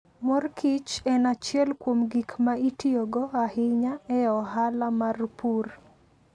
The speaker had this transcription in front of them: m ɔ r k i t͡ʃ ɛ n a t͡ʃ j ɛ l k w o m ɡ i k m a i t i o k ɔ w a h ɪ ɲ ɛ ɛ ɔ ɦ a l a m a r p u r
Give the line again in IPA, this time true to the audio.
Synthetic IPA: m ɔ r k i t͡ʃ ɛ n a t͡ʃ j ɛ l k w o m ɡ i k m a i t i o ɡ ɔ a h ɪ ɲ a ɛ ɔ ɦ a l a m a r p u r